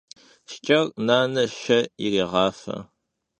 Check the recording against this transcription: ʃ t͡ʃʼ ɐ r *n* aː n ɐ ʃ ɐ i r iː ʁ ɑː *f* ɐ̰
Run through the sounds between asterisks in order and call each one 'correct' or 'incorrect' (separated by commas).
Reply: correct, correct